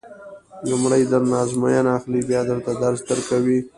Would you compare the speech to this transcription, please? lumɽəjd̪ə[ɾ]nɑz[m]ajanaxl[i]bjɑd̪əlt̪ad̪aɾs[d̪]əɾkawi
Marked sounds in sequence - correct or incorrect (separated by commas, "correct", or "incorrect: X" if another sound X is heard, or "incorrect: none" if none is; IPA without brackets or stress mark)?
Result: correct, correct, correct, correct